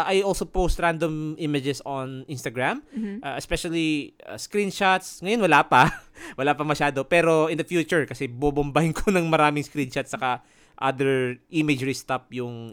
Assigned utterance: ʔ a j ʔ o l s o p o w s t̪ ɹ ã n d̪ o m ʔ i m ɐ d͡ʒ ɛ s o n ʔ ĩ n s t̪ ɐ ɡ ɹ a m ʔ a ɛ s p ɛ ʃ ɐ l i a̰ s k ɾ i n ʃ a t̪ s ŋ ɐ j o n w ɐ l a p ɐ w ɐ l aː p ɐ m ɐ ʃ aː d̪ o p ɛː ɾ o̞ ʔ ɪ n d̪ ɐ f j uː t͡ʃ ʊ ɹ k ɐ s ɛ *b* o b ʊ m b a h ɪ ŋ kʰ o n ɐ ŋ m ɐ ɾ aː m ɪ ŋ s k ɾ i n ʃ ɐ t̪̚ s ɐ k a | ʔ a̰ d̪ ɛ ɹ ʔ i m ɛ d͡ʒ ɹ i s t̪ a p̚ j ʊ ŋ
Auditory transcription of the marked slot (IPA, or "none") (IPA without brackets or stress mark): b